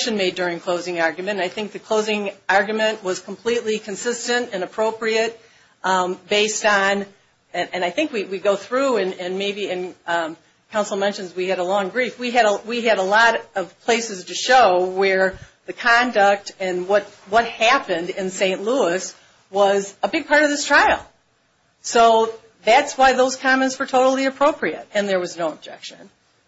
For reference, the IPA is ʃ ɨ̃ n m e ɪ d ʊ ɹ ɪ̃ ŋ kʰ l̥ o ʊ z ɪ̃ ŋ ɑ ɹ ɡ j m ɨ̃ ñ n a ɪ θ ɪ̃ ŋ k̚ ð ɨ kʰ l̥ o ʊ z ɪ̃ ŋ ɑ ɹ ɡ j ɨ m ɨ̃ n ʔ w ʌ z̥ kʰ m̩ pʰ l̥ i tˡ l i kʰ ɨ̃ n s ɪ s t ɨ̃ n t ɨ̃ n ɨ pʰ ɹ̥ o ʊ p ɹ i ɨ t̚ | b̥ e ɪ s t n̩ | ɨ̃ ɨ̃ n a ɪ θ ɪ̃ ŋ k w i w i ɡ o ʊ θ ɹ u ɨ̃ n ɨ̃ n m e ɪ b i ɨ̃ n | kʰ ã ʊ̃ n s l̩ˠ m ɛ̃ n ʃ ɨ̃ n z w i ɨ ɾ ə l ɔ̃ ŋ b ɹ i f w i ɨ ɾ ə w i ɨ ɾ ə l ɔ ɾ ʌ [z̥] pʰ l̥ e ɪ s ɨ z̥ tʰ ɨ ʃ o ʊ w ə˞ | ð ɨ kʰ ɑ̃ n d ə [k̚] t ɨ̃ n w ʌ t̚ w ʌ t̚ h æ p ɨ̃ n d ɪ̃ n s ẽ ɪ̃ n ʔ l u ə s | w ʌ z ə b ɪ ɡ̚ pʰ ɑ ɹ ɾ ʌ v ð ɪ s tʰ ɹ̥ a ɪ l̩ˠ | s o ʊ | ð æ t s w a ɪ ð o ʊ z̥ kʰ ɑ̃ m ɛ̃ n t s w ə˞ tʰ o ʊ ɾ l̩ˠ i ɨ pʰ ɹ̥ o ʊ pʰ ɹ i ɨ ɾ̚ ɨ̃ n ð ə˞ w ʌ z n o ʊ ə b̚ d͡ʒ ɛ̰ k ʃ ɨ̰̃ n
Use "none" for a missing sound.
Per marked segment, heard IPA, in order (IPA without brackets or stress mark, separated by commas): v̥, k̚